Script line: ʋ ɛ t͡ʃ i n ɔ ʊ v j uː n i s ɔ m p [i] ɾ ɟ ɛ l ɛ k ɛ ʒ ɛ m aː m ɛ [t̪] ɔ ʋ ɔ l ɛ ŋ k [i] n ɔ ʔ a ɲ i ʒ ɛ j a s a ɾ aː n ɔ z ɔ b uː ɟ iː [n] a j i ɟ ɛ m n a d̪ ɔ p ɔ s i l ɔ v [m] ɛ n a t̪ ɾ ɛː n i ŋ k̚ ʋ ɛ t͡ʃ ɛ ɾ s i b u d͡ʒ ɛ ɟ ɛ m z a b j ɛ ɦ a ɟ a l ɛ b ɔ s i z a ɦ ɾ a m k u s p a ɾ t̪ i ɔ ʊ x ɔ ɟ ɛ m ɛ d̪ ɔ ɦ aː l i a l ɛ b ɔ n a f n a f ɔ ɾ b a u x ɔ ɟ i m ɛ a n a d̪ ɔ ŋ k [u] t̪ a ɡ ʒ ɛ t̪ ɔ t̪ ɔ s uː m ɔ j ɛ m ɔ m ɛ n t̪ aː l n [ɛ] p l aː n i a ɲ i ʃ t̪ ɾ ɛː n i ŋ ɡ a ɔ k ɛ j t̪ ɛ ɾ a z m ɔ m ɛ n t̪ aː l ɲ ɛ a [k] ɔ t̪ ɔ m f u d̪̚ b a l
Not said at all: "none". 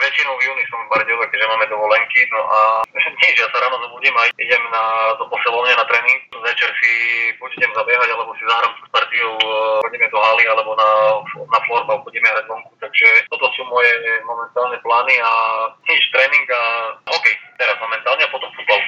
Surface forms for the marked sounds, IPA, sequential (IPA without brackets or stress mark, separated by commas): a, d̪, i, m, ɲ, u, ɛ, p